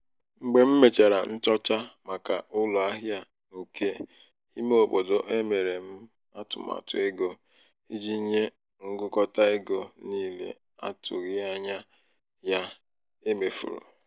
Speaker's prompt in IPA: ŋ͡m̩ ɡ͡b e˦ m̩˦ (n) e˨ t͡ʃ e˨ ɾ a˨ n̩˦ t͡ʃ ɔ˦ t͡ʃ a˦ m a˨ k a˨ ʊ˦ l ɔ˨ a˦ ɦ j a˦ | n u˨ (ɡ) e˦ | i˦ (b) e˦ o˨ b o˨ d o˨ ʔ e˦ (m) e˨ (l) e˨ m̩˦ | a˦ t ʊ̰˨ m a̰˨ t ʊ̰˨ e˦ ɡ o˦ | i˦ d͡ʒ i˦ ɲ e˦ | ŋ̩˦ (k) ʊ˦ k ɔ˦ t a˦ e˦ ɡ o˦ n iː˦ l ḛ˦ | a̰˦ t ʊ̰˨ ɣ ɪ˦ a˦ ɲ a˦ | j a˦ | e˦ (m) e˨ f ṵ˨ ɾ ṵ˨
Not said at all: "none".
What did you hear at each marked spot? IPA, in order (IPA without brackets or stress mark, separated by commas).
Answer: m, k, m, m, ɾ, ɡ, m